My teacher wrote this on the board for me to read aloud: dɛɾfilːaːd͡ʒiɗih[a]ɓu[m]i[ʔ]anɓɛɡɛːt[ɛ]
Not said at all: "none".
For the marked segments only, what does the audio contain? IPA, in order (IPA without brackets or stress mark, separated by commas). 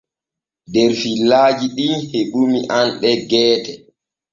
e, m, ʔ, ɛ